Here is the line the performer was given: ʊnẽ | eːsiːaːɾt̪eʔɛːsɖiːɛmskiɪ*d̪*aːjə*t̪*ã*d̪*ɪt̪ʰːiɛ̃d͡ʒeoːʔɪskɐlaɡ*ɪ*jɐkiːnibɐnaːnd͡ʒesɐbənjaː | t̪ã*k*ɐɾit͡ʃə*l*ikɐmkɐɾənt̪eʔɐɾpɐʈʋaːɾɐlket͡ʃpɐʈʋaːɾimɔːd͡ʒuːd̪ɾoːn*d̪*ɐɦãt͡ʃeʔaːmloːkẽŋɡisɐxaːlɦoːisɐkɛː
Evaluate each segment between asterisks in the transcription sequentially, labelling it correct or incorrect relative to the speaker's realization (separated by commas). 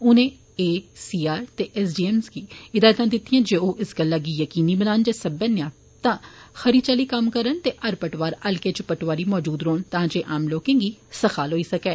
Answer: correct, correct, correct, incorrect, incorrect, correct, incorrect